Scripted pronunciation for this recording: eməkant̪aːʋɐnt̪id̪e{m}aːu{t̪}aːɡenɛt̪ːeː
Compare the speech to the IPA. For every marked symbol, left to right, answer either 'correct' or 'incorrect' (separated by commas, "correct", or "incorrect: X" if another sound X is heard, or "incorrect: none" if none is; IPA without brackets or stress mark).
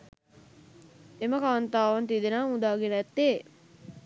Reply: incorrect: n, incorrect: d̪